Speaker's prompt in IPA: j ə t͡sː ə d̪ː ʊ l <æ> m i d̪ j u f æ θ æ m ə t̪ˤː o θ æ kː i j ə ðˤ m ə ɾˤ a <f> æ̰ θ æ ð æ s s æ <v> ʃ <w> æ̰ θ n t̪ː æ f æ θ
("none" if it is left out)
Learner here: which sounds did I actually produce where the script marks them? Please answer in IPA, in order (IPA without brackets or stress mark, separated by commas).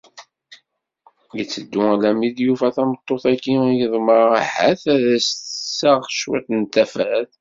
æ, ħ, ʁ, w